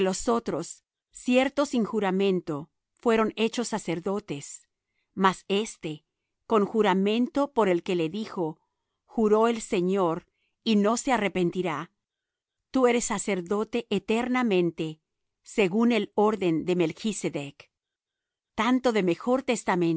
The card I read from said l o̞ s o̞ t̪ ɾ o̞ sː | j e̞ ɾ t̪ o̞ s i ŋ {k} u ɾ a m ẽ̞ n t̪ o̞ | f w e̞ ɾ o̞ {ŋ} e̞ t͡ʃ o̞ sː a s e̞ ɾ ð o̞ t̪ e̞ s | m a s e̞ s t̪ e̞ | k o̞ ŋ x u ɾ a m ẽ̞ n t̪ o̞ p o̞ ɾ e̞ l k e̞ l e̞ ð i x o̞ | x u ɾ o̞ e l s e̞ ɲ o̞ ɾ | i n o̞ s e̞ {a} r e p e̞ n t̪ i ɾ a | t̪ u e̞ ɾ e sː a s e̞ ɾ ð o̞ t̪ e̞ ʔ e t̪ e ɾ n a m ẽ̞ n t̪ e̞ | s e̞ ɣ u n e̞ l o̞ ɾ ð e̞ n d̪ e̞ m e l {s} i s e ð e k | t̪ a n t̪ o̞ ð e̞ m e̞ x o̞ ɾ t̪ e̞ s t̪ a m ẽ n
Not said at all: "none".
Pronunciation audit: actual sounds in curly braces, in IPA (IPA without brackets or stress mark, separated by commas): x, n, a, x